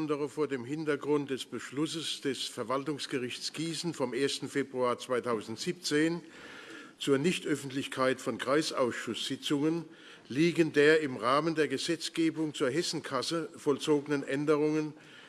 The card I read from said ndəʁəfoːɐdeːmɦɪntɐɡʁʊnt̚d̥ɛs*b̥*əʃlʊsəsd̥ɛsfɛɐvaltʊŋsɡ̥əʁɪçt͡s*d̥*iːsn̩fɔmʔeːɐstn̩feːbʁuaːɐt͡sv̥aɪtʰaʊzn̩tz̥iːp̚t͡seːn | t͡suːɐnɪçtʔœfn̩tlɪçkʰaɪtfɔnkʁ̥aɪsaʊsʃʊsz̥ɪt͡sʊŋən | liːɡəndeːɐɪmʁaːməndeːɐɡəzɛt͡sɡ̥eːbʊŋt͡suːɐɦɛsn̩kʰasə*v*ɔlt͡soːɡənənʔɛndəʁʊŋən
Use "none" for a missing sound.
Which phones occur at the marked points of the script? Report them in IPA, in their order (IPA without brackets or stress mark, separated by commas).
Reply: b̥, ɡ̥, f